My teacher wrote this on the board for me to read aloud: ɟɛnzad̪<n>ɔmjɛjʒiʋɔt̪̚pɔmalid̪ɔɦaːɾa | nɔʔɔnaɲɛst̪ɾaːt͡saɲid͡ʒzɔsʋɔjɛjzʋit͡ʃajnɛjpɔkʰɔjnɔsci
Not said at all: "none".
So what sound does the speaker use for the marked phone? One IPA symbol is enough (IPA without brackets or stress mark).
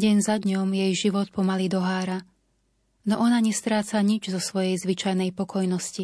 ɲ